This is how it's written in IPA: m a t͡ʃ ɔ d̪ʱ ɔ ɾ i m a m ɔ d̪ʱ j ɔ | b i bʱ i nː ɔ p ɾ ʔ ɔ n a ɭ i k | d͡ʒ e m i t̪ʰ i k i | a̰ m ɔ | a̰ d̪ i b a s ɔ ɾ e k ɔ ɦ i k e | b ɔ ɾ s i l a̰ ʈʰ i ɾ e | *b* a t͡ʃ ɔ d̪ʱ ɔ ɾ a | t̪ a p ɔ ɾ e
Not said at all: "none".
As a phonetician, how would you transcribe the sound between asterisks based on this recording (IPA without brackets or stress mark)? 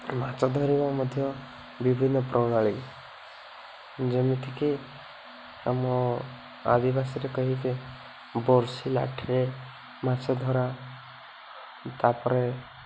m